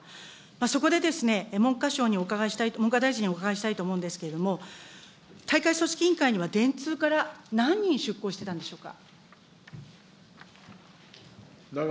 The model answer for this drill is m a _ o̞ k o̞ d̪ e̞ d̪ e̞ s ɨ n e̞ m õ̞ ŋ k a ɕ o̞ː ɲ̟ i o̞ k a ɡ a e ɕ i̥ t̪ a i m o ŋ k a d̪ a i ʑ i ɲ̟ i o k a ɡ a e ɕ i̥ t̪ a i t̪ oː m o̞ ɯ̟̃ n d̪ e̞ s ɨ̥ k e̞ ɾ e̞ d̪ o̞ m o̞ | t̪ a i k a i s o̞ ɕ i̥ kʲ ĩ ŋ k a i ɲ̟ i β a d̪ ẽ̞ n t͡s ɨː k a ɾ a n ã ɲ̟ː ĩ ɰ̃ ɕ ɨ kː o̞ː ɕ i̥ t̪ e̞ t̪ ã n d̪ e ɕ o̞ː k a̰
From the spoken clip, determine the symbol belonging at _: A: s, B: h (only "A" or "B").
A